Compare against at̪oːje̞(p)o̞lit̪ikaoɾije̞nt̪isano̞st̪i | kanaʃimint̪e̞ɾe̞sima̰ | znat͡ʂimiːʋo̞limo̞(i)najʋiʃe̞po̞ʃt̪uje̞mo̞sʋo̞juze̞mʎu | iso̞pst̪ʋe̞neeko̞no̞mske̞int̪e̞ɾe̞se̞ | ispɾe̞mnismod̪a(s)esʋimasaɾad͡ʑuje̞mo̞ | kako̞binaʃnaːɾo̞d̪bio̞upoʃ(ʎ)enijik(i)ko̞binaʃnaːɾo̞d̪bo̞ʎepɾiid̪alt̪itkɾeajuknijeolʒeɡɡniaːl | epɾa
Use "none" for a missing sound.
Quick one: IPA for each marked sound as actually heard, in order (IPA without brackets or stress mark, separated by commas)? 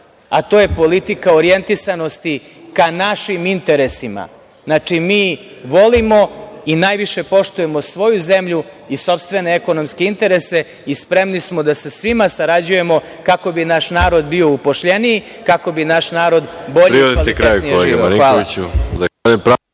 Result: p, i, s, ʎ, a